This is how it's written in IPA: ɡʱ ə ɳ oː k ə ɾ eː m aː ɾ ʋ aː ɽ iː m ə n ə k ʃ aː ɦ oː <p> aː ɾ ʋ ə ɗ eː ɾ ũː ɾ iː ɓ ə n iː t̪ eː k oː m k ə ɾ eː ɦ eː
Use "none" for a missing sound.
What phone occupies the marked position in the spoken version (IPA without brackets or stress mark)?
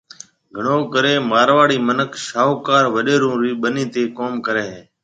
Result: k